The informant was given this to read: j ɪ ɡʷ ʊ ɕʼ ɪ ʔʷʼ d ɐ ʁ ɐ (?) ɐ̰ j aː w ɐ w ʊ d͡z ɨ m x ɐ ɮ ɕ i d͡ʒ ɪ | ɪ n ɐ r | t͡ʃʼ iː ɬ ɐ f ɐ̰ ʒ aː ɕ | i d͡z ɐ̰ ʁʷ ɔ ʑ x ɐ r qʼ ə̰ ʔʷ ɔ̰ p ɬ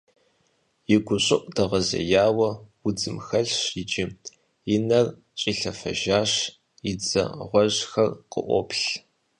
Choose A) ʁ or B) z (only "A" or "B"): B